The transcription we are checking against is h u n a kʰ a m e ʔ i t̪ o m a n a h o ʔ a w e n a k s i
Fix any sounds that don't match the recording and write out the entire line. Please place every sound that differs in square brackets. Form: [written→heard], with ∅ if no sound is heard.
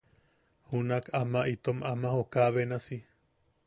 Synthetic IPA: h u n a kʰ a m [e→a] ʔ i t̪ o m a [n→m] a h o [ʔ→k] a [w→β] e n a [k→∅] s i